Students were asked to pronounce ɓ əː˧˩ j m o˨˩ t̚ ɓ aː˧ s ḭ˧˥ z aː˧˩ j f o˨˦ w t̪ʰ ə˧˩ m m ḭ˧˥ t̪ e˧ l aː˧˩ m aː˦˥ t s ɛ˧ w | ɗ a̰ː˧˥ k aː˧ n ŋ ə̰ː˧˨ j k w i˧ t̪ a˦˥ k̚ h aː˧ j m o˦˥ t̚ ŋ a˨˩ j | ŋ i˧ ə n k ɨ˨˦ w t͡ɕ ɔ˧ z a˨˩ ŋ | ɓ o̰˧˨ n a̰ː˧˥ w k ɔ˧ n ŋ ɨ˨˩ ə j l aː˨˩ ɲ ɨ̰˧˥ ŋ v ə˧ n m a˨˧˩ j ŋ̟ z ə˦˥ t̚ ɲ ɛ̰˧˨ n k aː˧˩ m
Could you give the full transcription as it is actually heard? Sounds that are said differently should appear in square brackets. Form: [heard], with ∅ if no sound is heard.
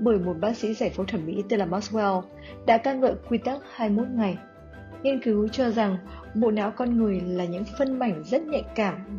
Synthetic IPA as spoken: ɓ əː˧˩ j m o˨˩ t̚ ɓ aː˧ s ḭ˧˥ z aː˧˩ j f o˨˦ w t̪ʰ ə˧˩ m m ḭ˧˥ t̪ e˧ l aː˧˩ m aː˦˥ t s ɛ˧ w | ɗ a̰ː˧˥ k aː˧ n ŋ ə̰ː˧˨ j k w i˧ t̪ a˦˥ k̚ h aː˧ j m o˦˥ t̚ ŋ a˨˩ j | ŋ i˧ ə n k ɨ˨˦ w t͡ɕ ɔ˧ z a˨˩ ŋ | ɓ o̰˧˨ n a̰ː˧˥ w k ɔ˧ n ŋ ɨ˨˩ ə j l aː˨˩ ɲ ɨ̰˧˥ ŋ [f] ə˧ n m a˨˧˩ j ŋ̟ z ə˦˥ t̚ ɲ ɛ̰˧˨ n k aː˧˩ m